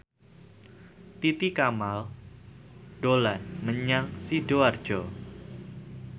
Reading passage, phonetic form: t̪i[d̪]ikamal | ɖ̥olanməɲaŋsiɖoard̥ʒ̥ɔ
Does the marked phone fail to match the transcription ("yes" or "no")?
yes